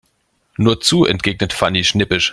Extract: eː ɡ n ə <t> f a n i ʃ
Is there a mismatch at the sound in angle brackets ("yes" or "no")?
no